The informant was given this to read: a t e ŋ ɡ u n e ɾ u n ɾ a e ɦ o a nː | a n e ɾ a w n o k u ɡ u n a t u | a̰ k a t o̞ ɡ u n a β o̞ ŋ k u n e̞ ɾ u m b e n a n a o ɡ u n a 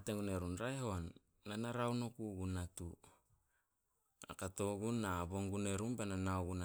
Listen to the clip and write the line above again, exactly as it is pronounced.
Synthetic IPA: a t e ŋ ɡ u n e ɾ u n ɾ a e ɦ o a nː | a n a ɾ a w n o k u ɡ u n a t u | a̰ k a t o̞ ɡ u n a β o̞ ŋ ɡ u n e̞ ɾ u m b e n a n a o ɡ u n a